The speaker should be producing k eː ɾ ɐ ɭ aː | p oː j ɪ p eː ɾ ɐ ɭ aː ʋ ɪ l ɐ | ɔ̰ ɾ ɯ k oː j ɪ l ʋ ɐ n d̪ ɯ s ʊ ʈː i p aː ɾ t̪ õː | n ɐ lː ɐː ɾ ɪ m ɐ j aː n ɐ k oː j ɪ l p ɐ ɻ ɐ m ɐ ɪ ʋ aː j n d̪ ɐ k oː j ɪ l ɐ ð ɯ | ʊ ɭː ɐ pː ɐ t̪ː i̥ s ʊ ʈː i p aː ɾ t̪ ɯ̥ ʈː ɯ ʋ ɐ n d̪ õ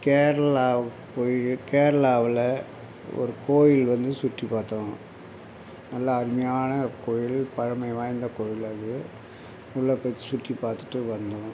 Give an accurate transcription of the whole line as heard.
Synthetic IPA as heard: k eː ɾ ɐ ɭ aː | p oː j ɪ k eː ɾ ɐ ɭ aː ʋ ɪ l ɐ | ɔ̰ ɾ ɯ k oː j ɪ l ʋ ɐ n d̪ ɯ s ʊ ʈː i p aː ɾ t̪ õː | n ɐ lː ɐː ɾ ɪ m ɐ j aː n ɐ k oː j ɪ l p ɐ ɻ ɐ m ɐ ɪ ʋ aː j n d̪ ɐ k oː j ɪ l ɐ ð ɯ | ʊ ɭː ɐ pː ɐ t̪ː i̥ s ʊ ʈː i p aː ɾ t̪ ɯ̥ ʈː ɯ ʋ ɐ n d̪ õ